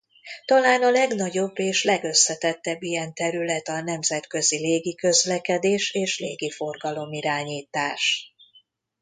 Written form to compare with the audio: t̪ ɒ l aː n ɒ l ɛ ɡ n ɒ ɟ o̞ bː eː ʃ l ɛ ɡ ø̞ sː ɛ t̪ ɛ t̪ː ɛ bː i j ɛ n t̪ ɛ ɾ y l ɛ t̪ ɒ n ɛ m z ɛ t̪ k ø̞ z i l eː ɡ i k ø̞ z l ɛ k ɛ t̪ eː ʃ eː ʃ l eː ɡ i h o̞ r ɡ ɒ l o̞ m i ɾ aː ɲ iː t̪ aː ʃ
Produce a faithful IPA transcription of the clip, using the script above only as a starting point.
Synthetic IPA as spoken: t̪ ɒ l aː n ɒ l ɛ ɡ n ɒ ɟ o̞ bː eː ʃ l ɛ ɡ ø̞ sː ɛ t̪ ɛ t̪ː ɛ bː i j ɛ n t̪ ɛ ɾ y l ɛ t̪ ɒ n ɛ m z ɛ t̪ k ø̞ z i l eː ɡ i k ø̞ z l ɛ k ɛ d̪ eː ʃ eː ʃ l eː ɡ i f o̞ r ɡ ɒ l o̞ m i ɾ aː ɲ iː t̪ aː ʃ

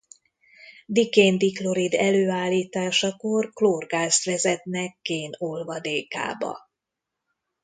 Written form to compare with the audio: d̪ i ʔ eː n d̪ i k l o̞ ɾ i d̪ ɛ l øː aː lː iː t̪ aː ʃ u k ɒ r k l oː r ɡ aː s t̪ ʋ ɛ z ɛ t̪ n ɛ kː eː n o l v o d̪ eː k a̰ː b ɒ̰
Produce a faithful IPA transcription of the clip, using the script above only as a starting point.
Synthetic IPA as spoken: d̪ i k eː n d̪ i k l o̞ ɾ i d̪ ɛ l øː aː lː iː t̪ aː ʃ ɒ k o r k l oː r ɡ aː s t̪ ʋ ɛ z ɛ t̪ n ɛ kː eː n o l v ɒ d̪ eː k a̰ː b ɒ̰

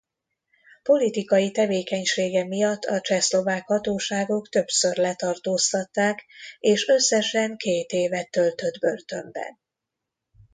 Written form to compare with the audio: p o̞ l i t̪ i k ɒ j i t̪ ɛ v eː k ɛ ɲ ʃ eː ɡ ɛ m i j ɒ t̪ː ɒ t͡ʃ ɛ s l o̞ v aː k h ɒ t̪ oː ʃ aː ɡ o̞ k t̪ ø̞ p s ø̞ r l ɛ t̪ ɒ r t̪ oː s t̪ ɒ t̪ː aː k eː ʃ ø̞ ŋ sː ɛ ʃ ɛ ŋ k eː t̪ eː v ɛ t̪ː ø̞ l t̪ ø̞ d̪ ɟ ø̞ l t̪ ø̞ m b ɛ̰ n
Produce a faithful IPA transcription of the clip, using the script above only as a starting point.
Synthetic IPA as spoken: p o̞ l i t̪ i k ɒ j i t̪ ɛ v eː k ɛ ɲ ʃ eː ɡ ɛ m i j ɒ t̪ː ɒ t͡ʃ ɛ s l o̞ v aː k h ɒ t̪ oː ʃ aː ɡ o̞ k t̪ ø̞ p s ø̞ r l ɛ t̪ ɒ r t̪ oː s t̪ ɒ t̪ː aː k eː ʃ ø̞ sː ɛ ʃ ɛ ŋ k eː t̪ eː v ɛ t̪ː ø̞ l t̪ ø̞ d̪ b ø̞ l t̪ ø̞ m b ɛ̰ n

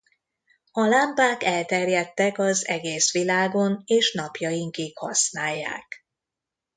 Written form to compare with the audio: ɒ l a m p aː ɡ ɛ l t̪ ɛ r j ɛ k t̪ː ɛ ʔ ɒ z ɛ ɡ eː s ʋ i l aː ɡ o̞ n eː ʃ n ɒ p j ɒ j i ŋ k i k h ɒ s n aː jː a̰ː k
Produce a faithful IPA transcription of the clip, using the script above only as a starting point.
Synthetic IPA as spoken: ɒ l a m p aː k ɛ l t̪ ɛ r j ɛ t̪ː ɛ k ɒ z ɛ ɡ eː s ʋ i l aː ɡ o̞ n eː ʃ n ɒ p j ɒ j i ŋ k i k h ɒ s n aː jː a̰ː k

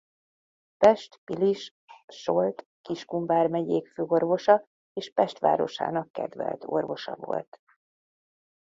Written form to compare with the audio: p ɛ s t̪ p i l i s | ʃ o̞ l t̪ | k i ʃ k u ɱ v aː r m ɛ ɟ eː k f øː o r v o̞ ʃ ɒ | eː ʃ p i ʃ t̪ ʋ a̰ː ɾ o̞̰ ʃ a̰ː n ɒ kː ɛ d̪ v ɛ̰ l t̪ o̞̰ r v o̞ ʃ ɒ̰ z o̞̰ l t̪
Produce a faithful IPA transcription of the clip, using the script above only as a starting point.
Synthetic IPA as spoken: p ɛ ʃ t̪ p i l i ʃ | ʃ o̞ l t̪ | k i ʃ k u ɱ v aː r m ɛ ɟ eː k f øː o r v o̞ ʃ ɒ | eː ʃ p ɛ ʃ t̪ ʋ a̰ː ɾ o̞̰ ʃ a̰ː n ɒ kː ɛ d̪ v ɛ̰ l t̪ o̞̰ r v o̞ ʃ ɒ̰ v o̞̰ l t̪

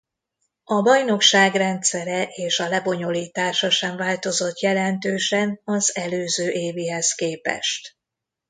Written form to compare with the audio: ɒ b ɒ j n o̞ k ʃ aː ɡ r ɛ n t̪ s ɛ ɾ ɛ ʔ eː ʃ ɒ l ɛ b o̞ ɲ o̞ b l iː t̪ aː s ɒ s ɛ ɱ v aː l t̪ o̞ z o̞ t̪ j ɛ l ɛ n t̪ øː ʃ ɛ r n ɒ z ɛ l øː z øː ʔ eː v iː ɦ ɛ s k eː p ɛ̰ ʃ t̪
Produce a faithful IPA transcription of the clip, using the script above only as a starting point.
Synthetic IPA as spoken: ɒ b ɒ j n o̞ k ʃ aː ɡ r ɛ n t̪ s ɛ ɾ ɛ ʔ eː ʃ ɒ l ɛ b o̞ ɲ o̞ l iː t̪ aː ʃ ɒ ʃ ɛ ɱ v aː l t̪ o̞ z o̞ t̪ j ɛ l ɛ n t̪ øː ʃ ɛ n ɒ z ɛ l øː z øː ʔ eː v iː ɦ ɛ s k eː p ɛ̰ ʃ t̪

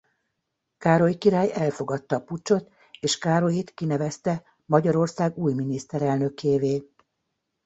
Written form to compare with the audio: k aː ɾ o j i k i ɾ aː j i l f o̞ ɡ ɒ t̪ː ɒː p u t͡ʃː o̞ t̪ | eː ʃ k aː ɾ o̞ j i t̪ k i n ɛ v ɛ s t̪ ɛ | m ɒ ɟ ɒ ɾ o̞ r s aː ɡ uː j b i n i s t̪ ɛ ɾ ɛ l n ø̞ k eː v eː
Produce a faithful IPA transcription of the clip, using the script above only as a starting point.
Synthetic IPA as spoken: k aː ɾ o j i k i ɾ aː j ɛ l f o̞ ɡ ɒ t̪ː ɒː p u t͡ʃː o̞ t̪ | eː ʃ k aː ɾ o̞ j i t̪ k i n ɛ v ɛ s t̪ ɛ | m ɒ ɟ ɒ ɾ o̞ r s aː ɡ uː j m i n i s t̪ ɛ ɾ ɛ l n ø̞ k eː v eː

